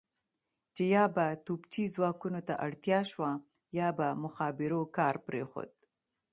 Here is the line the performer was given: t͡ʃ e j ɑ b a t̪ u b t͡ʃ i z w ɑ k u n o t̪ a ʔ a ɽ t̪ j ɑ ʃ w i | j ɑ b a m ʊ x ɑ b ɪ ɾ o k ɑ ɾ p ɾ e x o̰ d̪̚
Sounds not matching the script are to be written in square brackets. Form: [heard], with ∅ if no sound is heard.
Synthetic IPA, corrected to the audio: t͡ʃ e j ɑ b a t̪ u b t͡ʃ i z w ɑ k u n o t̪ a ʔ a ɽ t̪ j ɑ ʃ w [a] | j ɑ b a m ʊ x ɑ b ɪ ɾ o k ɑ ɾ p ɾ e x o̰ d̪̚